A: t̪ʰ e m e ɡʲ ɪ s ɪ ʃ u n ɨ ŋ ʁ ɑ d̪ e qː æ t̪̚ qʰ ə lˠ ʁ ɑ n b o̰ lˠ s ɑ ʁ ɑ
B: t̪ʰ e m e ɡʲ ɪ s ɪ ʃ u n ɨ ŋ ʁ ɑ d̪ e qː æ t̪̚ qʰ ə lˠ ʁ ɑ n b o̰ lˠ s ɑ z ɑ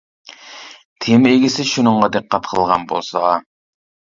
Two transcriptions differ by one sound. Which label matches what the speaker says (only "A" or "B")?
A